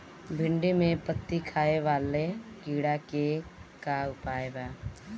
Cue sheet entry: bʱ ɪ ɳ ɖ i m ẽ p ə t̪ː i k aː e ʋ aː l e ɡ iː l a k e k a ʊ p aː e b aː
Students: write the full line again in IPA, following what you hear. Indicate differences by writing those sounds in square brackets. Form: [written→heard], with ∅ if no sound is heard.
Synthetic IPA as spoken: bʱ ɪ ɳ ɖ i m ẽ p ə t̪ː i [k→kʰ] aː e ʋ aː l e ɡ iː [l→ɽ] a k e k a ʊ p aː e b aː